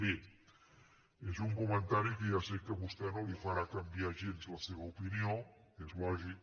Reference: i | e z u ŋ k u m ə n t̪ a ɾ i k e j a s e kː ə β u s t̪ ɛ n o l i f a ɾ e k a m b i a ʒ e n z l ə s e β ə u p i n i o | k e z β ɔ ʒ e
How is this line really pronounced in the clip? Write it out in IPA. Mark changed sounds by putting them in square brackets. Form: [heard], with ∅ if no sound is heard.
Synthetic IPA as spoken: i | e z u ŋ k u m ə n t̪ a ɾ i k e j a s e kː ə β u s t̪ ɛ n o l i f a ɾ [a] k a m b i a ʒ e n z l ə s e β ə u p i n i o | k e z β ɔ ʒ [i]